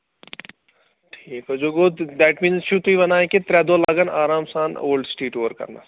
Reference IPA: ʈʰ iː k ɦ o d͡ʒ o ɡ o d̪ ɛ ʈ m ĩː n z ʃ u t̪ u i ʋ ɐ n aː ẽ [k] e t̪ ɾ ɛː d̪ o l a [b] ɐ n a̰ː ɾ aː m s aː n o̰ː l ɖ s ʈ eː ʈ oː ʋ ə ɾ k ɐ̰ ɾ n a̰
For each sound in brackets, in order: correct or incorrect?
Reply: correct, incorrect

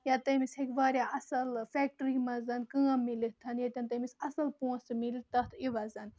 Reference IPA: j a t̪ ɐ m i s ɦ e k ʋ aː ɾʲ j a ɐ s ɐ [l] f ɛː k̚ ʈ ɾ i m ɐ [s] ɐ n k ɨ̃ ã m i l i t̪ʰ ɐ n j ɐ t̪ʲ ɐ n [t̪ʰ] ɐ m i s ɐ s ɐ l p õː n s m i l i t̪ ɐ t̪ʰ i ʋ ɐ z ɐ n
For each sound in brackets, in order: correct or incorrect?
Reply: correct, incorrect, incorrect

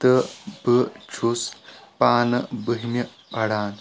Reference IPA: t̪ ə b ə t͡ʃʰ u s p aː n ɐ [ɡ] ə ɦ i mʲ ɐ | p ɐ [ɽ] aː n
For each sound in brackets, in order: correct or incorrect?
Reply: incorrect, correct

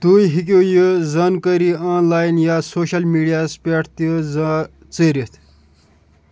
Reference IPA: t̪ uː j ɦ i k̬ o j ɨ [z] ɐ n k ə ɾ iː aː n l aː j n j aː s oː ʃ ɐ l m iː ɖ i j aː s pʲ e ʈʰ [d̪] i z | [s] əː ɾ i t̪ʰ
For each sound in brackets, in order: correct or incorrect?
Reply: correct, incorrect, incorrect

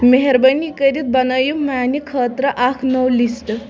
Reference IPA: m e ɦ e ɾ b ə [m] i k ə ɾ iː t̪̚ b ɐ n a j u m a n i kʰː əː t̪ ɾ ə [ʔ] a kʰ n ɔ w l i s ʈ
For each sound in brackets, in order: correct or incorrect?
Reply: incorrect, correct

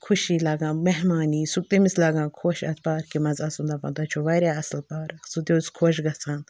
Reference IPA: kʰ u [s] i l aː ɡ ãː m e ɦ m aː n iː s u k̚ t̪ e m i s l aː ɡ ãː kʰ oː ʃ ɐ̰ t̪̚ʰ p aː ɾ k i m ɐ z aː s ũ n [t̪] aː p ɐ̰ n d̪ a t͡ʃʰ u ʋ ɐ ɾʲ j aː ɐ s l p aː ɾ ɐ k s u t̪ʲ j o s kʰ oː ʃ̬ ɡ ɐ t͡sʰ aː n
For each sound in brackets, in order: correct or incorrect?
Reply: incorrect, incorrect

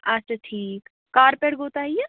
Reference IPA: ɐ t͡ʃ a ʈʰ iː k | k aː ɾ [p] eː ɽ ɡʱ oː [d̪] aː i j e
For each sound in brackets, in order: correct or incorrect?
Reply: correct, incorrect

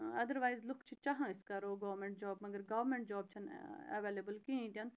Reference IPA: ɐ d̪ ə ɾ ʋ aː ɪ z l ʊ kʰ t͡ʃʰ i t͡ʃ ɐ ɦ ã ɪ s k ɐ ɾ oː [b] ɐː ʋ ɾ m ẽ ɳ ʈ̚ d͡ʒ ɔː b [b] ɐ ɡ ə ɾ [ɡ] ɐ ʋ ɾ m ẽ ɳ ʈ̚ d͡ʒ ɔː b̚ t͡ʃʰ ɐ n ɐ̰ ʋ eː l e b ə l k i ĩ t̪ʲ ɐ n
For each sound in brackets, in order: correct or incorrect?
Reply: incorrect, incorrect, correct

